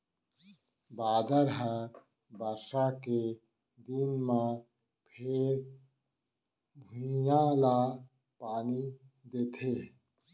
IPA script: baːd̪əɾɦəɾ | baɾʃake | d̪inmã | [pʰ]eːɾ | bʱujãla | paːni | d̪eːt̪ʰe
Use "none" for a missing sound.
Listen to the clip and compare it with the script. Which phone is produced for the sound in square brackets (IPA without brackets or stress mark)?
pʰ